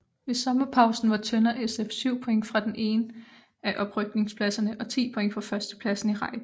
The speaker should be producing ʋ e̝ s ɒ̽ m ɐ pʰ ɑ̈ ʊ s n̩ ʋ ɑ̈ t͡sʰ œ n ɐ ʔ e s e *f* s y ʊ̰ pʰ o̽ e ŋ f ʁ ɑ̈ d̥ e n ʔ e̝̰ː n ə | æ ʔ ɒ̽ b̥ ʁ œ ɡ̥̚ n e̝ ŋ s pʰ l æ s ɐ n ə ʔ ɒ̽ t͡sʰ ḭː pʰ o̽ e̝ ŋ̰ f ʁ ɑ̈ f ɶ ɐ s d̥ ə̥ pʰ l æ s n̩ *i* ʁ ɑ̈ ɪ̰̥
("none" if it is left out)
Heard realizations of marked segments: f, i

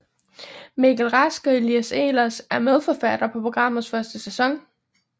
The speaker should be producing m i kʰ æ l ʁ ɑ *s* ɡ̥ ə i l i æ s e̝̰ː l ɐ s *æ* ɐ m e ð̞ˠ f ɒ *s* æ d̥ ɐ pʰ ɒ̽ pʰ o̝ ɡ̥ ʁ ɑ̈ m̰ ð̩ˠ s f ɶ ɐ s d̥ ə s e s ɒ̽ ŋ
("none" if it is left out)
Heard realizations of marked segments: s, æ, f

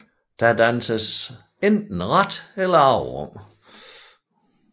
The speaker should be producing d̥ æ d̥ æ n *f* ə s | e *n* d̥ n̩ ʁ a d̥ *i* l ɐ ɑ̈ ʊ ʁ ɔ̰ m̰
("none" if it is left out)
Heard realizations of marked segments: s, n, e

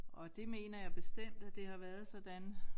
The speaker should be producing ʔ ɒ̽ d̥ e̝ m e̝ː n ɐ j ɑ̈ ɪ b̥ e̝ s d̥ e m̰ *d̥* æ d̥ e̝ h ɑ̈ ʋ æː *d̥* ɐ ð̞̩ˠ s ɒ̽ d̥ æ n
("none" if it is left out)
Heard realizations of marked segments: d̥, none

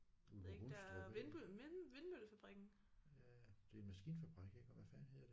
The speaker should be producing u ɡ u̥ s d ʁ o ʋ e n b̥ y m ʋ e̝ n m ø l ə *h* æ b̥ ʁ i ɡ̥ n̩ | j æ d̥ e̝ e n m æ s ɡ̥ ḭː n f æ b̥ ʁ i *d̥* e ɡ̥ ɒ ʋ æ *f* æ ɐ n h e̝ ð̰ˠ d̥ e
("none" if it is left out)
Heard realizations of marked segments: f, ɡ̥, f

